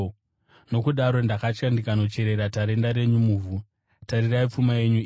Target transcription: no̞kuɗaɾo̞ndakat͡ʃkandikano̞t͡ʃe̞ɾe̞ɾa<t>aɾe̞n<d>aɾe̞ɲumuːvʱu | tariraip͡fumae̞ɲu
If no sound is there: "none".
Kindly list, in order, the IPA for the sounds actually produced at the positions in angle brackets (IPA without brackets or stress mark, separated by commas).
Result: t, d